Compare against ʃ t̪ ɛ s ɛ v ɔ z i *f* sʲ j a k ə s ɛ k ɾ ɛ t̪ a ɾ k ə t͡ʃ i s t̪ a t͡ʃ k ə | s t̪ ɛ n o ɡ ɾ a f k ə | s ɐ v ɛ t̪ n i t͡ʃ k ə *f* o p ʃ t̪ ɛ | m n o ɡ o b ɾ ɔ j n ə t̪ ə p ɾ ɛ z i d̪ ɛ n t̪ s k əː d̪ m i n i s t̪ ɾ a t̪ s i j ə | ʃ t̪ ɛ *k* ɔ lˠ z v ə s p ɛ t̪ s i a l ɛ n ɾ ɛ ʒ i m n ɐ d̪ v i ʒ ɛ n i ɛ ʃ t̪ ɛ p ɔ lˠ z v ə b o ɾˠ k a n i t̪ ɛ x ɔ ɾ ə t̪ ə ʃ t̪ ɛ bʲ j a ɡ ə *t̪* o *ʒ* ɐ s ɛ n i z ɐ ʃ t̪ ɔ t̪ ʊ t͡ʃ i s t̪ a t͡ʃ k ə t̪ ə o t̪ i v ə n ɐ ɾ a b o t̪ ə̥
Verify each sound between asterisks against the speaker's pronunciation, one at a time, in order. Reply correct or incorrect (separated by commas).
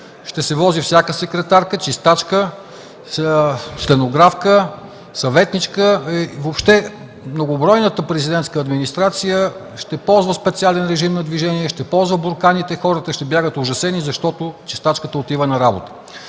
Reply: correct, incorrect, incorrect, correct, correct